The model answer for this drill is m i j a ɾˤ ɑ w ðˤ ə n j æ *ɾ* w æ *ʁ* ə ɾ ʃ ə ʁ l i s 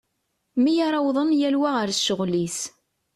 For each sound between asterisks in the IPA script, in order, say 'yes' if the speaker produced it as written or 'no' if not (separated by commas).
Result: no, yes